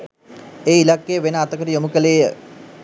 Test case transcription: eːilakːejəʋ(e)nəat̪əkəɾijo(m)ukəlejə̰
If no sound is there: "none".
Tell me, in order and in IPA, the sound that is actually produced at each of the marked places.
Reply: e, m

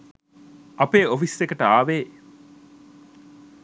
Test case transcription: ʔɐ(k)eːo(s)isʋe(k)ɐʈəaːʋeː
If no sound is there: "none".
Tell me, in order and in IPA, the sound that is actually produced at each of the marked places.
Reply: p, f, k

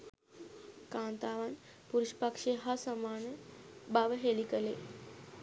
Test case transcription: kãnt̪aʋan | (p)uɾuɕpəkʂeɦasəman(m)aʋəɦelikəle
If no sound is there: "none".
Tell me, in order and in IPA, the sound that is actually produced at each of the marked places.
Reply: p, b

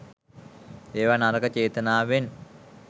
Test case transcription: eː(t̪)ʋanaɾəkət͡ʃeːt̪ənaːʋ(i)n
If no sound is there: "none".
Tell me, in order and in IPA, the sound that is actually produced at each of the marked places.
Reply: none, e

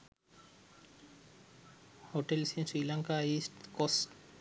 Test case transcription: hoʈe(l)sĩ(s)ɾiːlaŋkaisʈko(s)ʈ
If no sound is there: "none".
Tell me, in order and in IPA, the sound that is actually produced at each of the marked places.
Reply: l, s, s

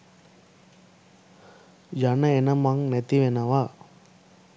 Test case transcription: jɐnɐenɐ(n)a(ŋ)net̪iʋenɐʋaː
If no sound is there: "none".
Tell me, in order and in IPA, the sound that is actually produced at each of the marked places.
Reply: m, ŋ

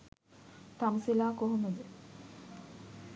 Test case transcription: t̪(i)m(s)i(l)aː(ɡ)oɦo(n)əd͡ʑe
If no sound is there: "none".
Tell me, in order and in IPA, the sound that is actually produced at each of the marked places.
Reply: a, s, l, k, m

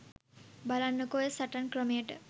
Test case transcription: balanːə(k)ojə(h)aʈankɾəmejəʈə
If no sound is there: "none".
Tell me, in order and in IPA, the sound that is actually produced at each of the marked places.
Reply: k, s

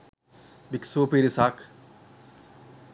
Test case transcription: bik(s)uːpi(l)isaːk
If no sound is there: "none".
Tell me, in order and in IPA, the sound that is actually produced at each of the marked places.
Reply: s, ɾ

